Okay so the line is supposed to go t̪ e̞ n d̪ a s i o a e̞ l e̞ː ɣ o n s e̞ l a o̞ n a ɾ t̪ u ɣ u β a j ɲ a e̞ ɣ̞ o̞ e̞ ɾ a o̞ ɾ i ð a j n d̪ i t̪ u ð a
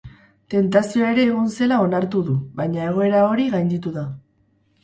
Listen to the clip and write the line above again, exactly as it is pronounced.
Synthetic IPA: t̪ e̞ n t̪ a s i o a e̞ ɾ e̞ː ɣ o n s e̞ l a o̞ n a ɾ t̪ u ð u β a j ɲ a e̞ ɣ̞ o̞ e̞ ɾ a o̞ ɾ i ɣ a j n d̪ i t̪ u ð a